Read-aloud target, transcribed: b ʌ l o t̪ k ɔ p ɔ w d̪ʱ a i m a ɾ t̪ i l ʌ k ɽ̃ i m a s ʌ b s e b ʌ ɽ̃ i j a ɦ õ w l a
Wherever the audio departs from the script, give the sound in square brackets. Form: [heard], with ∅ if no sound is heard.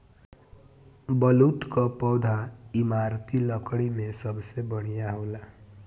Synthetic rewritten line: b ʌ l [u] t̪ k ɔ p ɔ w d̪ʱ a i m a ɾ t̪ i l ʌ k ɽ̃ i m [e] s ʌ b s e b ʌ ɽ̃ i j a ɦ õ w l a